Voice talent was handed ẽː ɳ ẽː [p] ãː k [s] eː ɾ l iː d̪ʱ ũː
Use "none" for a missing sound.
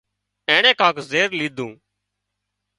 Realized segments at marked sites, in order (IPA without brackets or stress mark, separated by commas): k, z